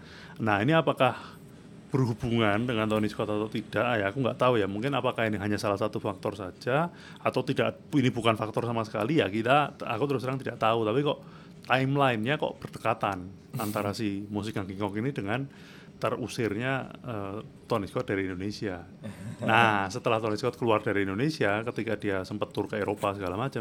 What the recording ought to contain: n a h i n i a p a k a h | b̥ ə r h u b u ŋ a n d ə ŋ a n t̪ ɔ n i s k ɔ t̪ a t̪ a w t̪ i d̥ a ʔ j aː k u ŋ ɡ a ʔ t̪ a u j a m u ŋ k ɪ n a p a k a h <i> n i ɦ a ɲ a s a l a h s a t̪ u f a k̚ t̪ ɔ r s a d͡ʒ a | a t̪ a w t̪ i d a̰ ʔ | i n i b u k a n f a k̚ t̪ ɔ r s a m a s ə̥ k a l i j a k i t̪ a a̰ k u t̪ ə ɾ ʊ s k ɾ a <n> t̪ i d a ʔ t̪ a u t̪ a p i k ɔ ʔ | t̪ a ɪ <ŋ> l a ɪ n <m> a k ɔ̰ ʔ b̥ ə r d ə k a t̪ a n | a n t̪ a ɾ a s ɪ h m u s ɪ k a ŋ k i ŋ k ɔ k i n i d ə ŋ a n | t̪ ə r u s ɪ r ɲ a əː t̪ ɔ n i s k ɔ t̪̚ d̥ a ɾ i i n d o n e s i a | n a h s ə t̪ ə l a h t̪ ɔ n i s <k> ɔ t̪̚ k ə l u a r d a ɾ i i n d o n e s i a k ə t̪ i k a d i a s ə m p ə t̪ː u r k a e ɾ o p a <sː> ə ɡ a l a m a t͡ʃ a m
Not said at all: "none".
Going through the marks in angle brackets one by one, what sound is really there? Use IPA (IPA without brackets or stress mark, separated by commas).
i, ŋ, m, ɲ, k, s